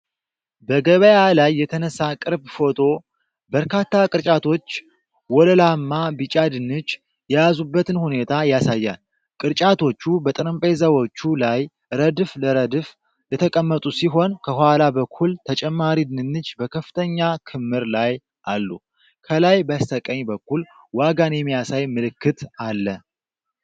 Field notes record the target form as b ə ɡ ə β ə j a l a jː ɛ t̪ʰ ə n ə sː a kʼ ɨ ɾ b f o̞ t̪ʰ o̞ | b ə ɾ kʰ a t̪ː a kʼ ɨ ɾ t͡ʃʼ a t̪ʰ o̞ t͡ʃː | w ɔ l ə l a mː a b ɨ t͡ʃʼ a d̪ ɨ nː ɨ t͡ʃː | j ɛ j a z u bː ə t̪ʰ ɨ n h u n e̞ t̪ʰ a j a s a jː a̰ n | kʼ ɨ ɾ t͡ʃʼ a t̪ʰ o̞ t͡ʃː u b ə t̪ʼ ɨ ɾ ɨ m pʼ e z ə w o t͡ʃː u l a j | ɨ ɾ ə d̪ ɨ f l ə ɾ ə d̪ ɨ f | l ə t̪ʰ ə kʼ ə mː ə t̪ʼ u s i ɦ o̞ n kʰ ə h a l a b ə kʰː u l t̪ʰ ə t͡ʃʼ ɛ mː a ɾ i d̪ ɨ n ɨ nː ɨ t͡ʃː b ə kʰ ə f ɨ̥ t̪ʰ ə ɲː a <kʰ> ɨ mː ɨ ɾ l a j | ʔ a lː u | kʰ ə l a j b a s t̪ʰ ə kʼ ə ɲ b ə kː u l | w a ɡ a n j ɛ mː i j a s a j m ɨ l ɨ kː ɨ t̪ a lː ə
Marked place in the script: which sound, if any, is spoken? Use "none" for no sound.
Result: kʰ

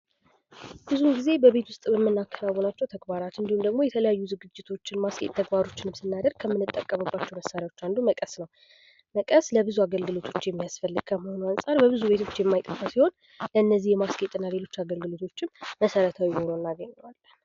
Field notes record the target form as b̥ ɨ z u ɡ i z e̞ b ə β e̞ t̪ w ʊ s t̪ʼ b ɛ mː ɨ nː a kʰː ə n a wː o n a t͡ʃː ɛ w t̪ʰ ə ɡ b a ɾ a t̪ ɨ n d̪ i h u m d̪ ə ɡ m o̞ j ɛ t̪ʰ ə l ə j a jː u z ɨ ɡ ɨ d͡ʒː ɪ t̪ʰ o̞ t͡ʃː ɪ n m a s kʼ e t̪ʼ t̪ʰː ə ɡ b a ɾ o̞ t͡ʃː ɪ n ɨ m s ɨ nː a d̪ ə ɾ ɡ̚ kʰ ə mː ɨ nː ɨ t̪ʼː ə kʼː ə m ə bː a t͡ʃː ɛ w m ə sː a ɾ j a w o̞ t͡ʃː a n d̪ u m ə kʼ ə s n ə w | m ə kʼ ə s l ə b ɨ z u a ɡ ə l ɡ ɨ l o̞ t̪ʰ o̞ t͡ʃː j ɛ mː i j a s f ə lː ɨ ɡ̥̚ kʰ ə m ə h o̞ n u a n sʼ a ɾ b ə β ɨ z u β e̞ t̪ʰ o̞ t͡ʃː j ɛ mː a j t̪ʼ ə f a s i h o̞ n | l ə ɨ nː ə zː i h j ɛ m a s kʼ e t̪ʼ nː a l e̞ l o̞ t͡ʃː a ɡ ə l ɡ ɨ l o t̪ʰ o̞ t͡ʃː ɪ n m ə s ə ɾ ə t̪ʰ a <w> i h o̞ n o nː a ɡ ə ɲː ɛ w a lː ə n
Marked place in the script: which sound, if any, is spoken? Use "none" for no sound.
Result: w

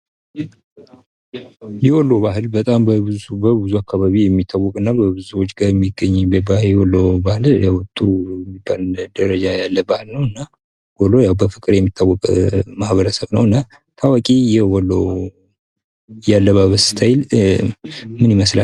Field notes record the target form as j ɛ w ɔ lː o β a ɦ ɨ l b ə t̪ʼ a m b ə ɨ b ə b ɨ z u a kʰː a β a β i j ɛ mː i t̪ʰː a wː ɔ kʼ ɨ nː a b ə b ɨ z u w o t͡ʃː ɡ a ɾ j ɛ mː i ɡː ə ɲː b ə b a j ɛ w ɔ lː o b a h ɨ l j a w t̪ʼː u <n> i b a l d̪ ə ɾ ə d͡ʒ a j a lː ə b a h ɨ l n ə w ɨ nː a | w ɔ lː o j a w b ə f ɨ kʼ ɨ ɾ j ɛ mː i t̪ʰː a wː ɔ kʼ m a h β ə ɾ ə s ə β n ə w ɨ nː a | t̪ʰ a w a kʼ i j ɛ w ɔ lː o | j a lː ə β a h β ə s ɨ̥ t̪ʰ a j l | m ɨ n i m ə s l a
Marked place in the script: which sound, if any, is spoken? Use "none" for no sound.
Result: m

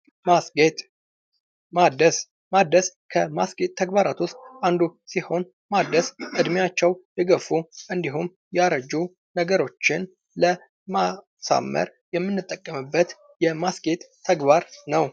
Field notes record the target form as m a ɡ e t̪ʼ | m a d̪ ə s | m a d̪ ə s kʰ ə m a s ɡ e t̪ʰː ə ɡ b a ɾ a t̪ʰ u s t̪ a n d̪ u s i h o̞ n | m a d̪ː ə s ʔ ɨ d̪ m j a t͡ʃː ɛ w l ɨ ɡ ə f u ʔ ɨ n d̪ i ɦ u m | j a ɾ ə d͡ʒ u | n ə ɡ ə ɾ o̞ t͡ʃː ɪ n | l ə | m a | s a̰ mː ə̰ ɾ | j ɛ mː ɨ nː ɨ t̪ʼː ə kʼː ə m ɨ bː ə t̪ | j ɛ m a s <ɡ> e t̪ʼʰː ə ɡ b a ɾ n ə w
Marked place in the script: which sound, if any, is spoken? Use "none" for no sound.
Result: ɡ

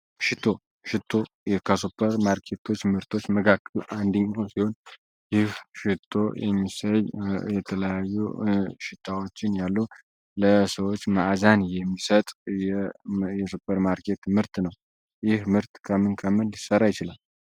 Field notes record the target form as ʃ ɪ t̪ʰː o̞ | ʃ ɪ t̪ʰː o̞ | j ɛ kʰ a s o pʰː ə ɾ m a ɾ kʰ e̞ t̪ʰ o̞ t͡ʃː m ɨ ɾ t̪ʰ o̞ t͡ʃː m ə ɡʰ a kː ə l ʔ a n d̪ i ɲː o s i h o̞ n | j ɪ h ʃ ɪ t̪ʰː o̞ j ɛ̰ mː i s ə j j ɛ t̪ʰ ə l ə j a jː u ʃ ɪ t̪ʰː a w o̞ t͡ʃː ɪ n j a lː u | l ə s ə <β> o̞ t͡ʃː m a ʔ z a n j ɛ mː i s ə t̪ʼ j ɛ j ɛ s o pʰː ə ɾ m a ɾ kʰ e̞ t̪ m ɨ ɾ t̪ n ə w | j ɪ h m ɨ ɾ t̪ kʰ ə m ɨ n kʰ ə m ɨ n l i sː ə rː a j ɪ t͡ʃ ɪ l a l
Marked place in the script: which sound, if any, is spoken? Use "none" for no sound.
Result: w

